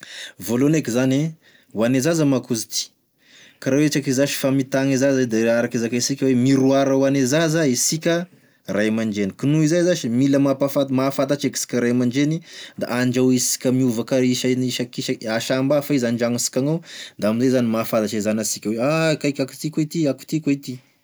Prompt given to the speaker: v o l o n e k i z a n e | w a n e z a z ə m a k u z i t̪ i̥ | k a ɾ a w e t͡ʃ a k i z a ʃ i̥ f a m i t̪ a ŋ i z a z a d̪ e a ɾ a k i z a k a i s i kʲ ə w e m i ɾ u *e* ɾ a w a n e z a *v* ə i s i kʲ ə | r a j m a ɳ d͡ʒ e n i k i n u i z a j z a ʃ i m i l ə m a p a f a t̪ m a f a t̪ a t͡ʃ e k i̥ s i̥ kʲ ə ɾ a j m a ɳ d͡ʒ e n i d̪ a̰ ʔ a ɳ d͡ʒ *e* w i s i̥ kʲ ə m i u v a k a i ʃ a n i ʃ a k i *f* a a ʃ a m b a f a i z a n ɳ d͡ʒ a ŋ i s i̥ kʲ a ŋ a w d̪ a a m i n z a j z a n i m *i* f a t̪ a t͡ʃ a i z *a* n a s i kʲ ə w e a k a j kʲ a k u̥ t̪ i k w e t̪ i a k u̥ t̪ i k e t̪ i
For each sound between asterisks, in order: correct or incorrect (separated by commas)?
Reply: incorrect, incorrect, incorrect, incorrect, incorrect, correct